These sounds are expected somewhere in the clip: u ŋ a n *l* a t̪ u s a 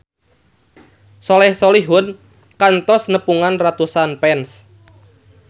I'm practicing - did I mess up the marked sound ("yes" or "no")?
yes